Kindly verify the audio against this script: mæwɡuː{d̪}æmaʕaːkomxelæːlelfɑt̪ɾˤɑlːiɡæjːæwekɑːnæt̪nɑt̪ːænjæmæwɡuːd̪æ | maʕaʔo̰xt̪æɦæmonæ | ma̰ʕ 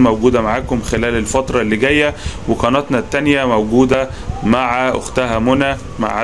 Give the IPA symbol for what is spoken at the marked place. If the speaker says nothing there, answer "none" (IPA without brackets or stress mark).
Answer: d̪